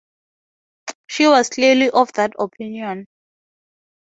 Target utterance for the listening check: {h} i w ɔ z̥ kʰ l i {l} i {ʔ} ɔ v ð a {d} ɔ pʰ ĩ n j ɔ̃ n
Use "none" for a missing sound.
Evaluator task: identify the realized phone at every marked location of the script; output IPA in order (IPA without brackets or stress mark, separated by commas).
ʃ, l, ʔ, t